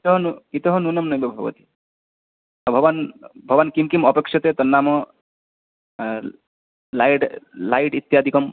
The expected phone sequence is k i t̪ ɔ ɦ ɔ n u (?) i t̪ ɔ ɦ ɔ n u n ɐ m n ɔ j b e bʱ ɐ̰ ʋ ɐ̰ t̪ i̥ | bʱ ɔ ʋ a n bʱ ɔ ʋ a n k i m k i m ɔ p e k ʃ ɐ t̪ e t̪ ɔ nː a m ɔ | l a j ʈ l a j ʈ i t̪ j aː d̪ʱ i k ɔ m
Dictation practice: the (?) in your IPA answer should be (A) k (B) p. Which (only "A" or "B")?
A